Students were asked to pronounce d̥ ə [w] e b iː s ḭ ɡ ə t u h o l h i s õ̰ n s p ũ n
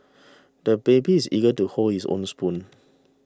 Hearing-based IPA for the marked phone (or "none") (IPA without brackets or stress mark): b